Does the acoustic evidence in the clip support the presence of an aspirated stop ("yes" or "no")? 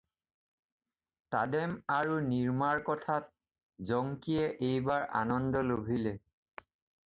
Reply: yes